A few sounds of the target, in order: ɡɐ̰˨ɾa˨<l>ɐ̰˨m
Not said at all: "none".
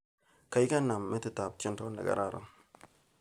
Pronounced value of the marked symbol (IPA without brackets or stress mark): ɾ